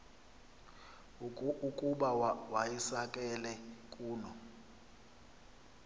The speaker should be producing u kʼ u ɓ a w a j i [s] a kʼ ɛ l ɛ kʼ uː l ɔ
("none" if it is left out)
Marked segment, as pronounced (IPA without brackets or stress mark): s